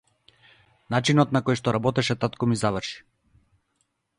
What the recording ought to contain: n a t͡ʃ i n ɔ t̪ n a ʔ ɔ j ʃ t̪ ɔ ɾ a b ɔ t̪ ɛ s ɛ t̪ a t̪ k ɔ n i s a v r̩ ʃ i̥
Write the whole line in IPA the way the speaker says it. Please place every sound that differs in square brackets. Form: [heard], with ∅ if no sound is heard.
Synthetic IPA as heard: n a t͡ʃ i n ɔ t̪ n a [k] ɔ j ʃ t̪ ɔ ɾ a b ɔ t̪ ɛ [ʃ] ɛ t̪ a t̪ k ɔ [m] i [z] a v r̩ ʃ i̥